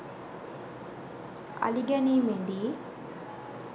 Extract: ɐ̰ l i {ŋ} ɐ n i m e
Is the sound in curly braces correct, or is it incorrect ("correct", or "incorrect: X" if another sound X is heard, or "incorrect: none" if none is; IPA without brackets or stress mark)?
incorrect: ɡ